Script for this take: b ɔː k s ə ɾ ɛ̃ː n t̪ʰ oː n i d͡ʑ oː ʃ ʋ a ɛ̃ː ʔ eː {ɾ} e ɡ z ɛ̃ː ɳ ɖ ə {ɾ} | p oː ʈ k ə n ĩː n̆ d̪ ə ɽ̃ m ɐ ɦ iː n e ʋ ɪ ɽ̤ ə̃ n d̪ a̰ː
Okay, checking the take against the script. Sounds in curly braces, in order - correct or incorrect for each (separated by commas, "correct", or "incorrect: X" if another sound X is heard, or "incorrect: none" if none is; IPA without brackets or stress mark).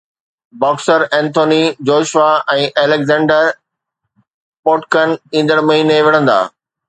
incorrect: l, correct